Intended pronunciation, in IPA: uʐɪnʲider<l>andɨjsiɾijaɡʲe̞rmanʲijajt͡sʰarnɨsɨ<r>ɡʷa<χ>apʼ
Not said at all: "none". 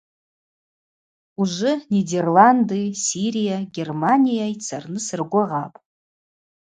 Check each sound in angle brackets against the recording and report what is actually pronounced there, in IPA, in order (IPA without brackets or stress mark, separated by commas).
l, r, ʁ